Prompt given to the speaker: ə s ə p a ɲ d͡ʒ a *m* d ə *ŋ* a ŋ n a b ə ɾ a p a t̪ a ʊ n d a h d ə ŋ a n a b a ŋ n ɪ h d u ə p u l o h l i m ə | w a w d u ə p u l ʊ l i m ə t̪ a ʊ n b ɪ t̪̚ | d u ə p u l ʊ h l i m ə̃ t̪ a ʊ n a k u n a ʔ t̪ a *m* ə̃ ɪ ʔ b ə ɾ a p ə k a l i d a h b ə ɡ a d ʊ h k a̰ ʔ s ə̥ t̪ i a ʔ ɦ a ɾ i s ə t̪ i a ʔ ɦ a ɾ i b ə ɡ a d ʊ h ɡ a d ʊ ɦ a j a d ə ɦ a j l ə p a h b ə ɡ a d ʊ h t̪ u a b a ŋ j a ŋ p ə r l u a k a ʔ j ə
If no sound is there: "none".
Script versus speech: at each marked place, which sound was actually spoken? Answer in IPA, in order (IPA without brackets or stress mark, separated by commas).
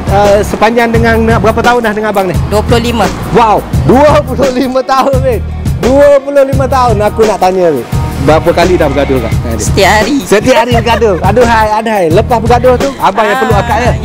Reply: ŋ, ŋ, ɲ